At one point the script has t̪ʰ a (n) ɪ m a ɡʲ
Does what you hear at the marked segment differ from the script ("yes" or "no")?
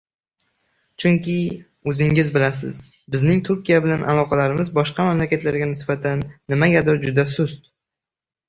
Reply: yes